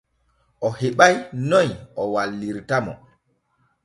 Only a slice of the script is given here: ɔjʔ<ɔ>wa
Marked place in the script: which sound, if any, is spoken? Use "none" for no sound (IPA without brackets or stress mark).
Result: ɔ